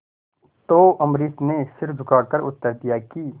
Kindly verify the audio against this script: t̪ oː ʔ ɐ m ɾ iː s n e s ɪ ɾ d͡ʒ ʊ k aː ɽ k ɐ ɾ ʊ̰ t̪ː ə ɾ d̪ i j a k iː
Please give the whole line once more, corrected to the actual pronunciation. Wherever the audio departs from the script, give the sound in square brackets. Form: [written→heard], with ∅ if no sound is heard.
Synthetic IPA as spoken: t̪ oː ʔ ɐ m ɾ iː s n e s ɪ ɾ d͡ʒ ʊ k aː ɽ k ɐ ɾ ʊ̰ t̪ː ə ɾ d̪ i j a k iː